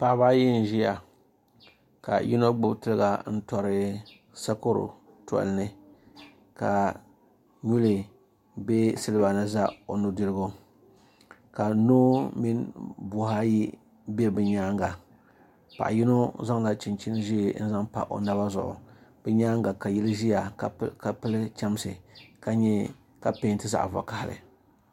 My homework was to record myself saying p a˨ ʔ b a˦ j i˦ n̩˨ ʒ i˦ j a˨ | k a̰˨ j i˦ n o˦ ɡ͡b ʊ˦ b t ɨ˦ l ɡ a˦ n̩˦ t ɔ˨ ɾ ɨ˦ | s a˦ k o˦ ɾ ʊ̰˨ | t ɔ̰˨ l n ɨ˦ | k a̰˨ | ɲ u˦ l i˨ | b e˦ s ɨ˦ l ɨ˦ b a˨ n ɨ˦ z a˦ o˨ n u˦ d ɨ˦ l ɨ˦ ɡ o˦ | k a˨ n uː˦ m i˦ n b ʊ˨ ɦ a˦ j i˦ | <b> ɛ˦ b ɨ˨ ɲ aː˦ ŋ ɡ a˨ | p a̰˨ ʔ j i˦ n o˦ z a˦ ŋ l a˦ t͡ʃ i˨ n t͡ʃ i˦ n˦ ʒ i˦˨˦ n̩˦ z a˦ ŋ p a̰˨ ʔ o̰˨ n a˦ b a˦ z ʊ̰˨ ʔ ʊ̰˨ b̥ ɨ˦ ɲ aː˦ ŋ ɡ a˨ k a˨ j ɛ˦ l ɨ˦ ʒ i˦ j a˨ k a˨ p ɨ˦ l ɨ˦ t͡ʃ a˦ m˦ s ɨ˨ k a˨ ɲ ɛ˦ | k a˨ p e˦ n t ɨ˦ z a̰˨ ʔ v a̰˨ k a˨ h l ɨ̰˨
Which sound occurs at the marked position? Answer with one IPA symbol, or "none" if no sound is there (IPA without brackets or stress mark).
b